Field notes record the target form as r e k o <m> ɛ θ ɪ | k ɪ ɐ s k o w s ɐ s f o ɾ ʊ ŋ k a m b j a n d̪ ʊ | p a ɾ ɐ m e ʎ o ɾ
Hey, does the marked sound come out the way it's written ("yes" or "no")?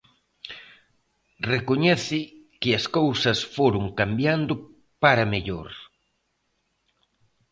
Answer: no